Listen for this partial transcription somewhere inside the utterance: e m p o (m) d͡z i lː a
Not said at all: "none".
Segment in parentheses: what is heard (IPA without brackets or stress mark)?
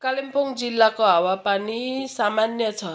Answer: ŋ